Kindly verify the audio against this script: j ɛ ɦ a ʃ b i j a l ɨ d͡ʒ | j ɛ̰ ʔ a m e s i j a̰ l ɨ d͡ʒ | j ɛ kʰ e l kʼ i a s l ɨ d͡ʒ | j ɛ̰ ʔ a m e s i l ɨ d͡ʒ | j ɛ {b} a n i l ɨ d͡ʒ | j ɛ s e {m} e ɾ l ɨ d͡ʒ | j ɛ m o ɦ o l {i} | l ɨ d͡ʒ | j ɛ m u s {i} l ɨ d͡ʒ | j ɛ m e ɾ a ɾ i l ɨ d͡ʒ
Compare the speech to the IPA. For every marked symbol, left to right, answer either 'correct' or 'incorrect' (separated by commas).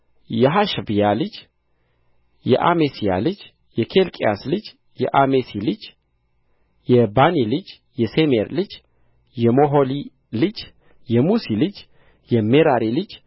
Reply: correct, correct, correct, correct